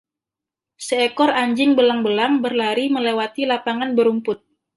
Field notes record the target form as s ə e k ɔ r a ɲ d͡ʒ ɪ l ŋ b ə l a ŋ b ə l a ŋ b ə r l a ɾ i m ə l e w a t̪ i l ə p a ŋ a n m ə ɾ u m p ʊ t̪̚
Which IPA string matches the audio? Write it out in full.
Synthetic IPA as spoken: s ə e k ɔ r a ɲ d͡ʒ ɪ ŋ b ə l a ŋ b ə l a ŋ b ə r l a ɾ i m ə l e w a t̪ i l a p a ŋ a n b ə ɾ u m p ʊ t̪̚

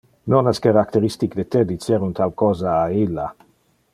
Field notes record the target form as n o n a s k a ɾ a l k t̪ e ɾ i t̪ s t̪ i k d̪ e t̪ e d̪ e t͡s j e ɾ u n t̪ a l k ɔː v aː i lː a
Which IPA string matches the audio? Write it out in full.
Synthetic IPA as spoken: n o n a s k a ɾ a k t̪ e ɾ i s t̪ i k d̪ e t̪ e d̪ i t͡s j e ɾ u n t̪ a l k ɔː z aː i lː a

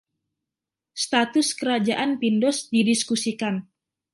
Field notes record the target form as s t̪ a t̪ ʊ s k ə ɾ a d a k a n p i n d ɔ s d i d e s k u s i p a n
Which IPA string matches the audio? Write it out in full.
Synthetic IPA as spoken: s t̪ a t̪ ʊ s k ə ɾ a d͡ʒ a ʔ a n p i n d ɔ s d i d i s k u s i k a n

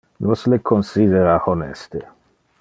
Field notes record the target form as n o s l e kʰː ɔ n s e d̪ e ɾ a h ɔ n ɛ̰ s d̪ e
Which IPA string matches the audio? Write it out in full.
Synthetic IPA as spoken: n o s l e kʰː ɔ n s i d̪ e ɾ a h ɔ n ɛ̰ s t̪ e

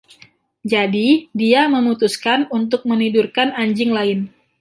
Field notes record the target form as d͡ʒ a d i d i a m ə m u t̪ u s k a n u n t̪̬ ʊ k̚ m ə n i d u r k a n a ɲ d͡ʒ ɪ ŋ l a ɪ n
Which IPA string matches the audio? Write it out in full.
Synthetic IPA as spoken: d͡ʒ a d i d i a m ə m u t̪ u s k a n u n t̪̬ ʊ k̚ m ə n i d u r k a n a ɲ d͡ʒ ɪ ŋ l a ɪ n

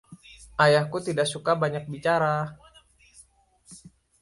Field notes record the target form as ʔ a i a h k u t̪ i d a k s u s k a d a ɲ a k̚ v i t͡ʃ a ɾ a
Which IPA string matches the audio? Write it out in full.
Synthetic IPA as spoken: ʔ a j a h k u t̪ i d a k s u k a b a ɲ a k̚ b i t͡ʃ a ɾ a

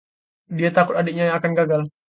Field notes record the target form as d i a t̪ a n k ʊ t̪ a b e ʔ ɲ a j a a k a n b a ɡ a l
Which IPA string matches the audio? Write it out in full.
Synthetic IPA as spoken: d i a t̪ a k ʊ t̪ a d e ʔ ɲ a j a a k a n ɡ a ɡ a l

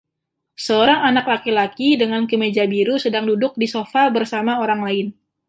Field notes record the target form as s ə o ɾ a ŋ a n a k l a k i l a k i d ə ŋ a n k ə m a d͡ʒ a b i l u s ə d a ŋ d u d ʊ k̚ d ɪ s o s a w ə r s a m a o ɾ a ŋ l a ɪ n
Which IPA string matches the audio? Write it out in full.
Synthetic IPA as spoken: s ə o ɾ a ŋ a n a k l a k i l a k i d ə ŋ a n k ə m e d͡ʒ a b i ɾ u s ə d a ŋ d u d ʊ k̚ d i s o f a b ə r s a m a o ɾ a ŋ l a ɪ n

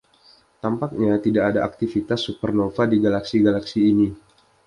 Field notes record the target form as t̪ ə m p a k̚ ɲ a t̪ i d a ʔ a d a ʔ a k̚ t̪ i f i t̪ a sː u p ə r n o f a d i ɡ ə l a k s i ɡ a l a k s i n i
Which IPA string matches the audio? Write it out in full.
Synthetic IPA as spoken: t̪ a m p a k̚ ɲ a t̪ i d a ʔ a d a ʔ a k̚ t̪ i f i t̪ a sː u p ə r n o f a d i ɡ a l a k s i ɡ a l a k s iː n i

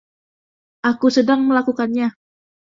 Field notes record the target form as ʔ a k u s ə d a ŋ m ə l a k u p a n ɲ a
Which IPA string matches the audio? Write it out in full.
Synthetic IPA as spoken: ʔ a k u s ə d a ŋ m ə l a k u k a n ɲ a

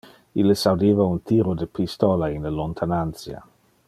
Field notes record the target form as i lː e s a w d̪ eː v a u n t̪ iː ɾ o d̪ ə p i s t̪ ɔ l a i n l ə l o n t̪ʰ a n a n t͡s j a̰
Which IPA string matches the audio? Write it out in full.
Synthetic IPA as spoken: i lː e s a w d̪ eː v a u n t̪ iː ɾ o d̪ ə p i s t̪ ɔ l a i n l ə l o n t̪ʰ a n a n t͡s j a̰

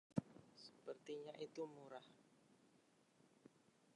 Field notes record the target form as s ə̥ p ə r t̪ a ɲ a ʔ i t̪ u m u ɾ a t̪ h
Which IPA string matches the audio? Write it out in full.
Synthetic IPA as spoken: s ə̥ p ə r t̪ i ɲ a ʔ i t̪ u m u ɾ a h

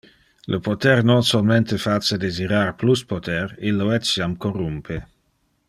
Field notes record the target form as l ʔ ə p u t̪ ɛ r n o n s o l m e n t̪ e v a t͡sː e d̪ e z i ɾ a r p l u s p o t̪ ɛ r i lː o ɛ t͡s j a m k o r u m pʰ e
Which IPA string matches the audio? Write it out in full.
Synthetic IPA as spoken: l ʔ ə p o t̪ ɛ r n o n s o l m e n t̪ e f a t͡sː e d̪ e z i ɾ a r p l u s p o t̪ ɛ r i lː o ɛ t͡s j a m k o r u m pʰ e

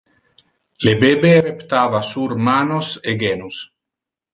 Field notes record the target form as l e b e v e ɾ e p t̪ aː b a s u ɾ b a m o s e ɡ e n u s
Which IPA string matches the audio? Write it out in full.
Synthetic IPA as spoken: l e b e b e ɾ e p t̪ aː v a s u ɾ m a n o s e ɡ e n u s

